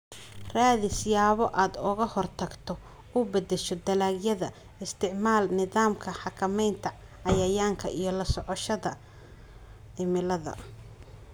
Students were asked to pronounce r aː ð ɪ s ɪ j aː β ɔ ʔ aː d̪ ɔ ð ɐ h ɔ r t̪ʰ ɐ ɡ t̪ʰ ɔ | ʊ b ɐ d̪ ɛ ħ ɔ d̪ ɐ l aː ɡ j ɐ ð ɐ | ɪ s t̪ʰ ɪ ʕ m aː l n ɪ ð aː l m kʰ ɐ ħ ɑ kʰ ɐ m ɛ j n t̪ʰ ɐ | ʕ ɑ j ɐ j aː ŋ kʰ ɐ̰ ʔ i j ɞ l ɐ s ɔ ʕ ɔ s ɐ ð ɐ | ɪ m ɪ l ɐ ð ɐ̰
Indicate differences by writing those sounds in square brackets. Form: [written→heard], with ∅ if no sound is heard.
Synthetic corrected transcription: r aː ð ɪ s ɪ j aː β ɔ ʔ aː d̪ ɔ [ð→ɣ] ɐ h ɔ r t̪ʰ ɐ ɡ t̪ʰ ɔ | ʊ b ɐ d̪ ɛ [ħ→ʃ] ɔ d̪ ɐ l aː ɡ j ɐ ð ɐ | ɪ s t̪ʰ ɪ ʕ m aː l n ɪ ð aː [l→∅] m kʰ ɐ ħ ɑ kʰ ɐ m ɛ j n t̪ʰ ɐ | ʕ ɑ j ɐ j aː ŋ kʰ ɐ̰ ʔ i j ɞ l ɐ s ɔ ʕ ɔ [s→ʃ] ɐ ð ɐ | ɪ m ɪ l ɐ ð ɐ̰